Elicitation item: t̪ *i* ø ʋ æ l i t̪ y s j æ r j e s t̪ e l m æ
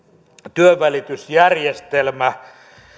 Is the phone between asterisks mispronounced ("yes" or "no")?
yes